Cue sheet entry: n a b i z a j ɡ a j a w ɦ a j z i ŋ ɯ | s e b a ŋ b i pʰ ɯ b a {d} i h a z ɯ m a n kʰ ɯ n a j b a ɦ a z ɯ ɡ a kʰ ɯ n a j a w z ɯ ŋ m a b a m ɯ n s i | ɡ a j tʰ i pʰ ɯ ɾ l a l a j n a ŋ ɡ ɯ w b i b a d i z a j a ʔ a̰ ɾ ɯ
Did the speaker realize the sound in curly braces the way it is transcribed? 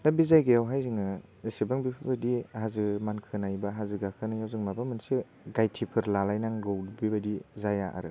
yes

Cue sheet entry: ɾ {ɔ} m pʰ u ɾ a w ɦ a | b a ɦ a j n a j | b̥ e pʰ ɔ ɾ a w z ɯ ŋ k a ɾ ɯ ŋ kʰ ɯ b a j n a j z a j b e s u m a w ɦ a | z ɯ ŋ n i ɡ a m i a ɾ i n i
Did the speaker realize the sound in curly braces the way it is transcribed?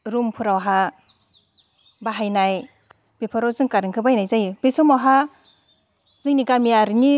no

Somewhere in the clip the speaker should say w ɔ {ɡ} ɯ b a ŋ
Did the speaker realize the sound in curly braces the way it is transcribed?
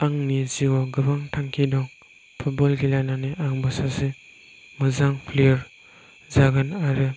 yes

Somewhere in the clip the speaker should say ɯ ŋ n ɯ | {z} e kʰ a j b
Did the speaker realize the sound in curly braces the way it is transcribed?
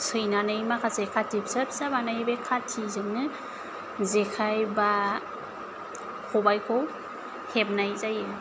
yes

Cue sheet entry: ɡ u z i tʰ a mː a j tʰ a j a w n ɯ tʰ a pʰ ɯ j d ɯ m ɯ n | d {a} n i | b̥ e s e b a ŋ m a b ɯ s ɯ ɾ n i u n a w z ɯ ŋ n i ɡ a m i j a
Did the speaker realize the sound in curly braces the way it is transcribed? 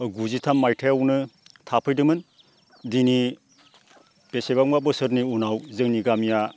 no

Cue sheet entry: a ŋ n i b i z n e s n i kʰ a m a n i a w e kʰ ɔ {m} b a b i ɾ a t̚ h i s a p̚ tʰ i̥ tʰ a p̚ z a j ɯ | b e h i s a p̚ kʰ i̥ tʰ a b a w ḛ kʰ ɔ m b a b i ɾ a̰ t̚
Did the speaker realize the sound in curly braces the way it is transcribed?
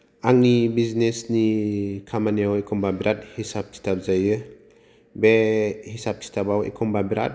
yes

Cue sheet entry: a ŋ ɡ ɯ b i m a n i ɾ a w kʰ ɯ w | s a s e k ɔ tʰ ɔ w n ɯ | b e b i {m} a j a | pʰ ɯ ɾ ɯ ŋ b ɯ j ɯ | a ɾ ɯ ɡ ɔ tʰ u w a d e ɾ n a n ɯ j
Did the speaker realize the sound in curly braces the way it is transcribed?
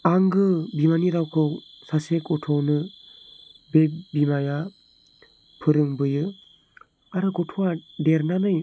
yes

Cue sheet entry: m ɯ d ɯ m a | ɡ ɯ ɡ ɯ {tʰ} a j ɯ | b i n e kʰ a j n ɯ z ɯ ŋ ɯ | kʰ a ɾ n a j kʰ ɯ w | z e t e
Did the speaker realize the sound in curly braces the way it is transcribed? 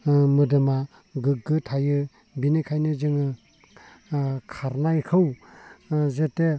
yes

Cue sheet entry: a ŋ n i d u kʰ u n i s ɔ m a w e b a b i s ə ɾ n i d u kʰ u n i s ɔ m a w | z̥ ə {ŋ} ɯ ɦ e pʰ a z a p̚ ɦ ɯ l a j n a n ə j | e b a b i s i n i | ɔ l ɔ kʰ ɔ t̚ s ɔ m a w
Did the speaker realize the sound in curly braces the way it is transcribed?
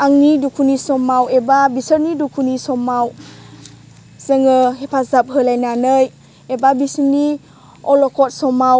yes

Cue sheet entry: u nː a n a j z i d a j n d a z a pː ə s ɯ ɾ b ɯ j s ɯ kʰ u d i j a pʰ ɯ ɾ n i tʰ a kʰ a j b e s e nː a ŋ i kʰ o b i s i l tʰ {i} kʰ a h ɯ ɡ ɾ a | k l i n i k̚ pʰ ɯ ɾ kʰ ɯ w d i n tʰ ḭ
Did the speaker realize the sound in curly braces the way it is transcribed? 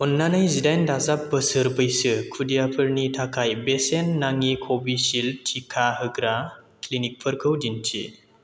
yes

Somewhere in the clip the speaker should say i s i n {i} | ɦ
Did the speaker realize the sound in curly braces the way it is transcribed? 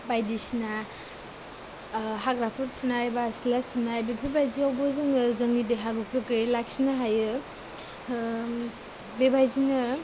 no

